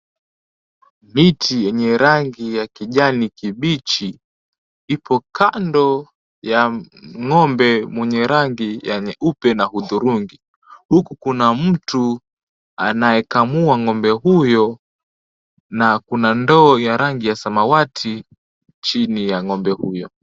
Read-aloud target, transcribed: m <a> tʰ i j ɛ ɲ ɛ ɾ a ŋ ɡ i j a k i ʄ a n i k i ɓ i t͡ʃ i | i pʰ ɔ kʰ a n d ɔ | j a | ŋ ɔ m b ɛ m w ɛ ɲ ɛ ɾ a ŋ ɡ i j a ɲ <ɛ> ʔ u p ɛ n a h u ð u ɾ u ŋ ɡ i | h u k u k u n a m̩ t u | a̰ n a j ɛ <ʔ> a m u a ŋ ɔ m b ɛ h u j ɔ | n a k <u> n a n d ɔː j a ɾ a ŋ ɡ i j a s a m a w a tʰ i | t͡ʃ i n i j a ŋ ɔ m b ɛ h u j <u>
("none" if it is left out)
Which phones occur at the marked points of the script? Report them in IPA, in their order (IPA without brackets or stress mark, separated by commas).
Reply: i, ɛ, k, u, ɔ